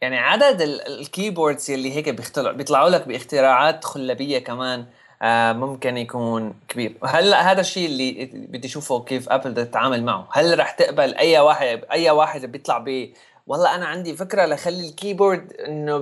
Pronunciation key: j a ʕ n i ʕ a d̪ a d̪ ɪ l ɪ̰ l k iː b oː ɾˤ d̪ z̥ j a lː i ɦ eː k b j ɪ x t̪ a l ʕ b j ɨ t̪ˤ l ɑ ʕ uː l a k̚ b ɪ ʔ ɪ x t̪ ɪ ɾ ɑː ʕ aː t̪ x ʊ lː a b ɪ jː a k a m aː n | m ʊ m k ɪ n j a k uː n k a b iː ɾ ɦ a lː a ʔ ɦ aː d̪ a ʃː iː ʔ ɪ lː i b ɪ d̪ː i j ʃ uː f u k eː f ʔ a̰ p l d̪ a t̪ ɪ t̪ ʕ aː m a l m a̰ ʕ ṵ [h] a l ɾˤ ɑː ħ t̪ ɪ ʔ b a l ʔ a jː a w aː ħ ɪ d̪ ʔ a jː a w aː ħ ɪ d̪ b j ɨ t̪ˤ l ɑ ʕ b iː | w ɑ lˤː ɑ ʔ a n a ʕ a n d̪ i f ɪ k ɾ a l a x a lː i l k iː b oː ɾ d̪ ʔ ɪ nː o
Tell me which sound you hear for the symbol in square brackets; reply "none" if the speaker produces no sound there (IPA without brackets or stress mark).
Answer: h